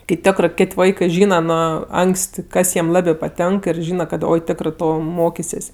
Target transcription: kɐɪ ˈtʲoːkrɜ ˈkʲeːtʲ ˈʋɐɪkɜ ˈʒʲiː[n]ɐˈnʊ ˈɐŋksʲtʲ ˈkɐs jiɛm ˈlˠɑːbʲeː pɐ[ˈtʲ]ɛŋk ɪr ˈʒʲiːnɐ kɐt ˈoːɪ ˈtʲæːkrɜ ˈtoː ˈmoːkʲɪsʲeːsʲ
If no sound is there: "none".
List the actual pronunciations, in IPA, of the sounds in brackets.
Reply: n, tʲ

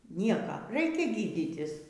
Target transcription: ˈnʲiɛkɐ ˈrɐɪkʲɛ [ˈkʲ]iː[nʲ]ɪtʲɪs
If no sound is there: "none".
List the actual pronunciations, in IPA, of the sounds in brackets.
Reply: ɡʲ, dʲ

